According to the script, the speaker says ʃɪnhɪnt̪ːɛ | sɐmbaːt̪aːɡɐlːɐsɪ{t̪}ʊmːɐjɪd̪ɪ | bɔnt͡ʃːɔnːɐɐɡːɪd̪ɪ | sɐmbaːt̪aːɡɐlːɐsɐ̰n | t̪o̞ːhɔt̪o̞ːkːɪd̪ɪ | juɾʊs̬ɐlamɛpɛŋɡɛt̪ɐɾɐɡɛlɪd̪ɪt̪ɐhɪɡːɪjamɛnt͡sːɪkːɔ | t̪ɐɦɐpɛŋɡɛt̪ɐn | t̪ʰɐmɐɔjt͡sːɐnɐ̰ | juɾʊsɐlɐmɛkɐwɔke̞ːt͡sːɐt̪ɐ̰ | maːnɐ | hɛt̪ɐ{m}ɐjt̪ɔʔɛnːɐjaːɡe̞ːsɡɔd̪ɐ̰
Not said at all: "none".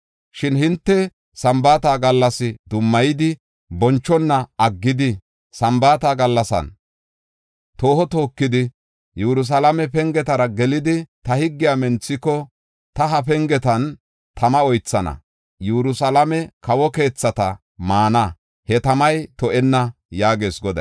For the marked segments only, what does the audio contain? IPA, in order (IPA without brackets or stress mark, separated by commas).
d̪, m